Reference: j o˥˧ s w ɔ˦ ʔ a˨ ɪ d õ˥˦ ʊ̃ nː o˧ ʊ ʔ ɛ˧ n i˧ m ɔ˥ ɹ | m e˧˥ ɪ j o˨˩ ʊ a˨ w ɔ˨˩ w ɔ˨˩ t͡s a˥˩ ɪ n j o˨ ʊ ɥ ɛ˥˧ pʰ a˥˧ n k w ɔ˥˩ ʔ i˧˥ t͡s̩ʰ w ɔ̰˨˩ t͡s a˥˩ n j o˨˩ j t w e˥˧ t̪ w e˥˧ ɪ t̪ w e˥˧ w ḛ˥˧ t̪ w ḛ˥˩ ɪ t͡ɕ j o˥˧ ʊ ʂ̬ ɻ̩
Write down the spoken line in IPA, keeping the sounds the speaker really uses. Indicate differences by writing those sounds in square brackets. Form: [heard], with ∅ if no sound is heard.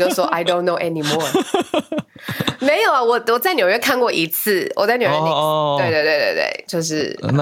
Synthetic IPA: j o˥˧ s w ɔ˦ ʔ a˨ ɪ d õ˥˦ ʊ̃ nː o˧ ʊ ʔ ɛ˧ n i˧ m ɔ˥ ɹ | m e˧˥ ɪ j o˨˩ ʊ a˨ w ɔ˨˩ w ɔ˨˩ t͡s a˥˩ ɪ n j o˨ ʊ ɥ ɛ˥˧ [kʰ] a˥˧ n k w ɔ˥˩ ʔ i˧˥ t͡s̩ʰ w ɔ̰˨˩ t͡s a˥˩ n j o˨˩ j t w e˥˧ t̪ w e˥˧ ɪ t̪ w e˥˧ w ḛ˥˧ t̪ w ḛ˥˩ ɪ t͡ɕ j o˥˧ ʊ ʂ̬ ɻ̩